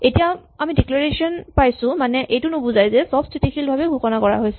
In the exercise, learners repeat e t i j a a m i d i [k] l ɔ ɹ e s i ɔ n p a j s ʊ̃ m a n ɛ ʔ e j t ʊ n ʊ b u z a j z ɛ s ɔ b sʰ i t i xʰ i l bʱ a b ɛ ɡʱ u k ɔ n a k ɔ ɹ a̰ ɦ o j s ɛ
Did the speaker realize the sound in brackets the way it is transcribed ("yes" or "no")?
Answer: yes